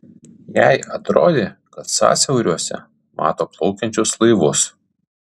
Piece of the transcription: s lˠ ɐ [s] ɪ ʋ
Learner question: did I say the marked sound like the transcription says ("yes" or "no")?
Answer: no